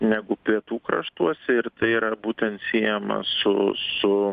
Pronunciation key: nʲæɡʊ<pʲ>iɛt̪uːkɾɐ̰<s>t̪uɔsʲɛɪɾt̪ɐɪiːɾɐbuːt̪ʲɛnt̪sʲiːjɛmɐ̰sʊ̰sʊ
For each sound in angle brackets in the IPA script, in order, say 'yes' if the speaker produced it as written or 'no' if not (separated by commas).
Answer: yes, no